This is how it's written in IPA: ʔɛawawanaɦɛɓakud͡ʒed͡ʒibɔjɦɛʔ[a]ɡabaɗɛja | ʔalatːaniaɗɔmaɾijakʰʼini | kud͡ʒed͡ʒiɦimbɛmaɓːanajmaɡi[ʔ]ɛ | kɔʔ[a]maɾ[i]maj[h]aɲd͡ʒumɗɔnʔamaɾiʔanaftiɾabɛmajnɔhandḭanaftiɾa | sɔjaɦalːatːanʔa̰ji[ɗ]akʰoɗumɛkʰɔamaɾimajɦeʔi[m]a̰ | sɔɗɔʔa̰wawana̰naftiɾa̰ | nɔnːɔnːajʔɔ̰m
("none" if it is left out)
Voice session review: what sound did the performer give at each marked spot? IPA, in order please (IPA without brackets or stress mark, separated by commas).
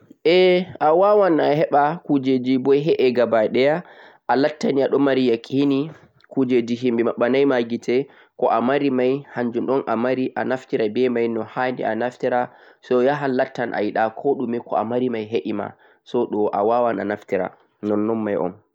ɛ, t, a, i, h, ɗ, m